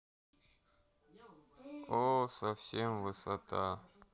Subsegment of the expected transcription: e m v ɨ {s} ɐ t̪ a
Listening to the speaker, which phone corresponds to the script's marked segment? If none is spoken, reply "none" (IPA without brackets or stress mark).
s